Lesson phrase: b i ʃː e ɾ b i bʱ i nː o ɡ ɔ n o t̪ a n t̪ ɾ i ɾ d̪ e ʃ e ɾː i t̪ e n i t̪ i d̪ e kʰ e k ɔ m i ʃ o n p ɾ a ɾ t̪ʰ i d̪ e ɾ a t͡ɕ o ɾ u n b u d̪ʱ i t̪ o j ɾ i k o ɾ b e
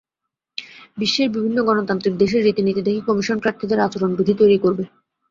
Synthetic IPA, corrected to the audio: b i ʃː e ɾ b i bʱ i nː o ɡ ɔ n o t̪ a n t̪ ɾ i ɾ d̪ e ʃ e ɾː i t̪ i n i t̪ i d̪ e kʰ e k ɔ m i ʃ o n p ɾ a ɾ t̪ʰ i d̪ e ɾ a t͡ɕ o ɾ o n b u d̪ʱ i t̪ o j ɾ i k o ɾ b e